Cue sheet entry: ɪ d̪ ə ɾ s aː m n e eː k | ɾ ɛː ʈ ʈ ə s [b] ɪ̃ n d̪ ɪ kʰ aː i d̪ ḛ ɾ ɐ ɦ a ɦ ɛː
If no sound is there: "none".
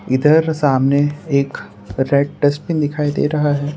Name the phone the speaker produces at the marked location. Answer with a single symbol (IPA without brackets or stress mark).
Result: p